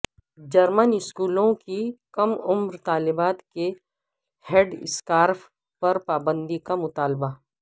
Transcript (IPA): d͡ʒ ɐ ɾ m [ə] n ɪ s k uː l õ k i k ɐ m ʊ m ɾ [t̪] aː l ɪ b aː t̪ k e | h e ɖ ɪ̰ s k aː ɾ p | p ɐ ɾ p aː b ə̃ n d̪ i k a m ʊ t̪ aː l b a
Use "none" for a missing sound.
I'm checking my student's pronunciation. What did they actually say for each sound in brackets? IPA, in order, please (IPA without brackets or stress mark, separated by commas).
ə, t̪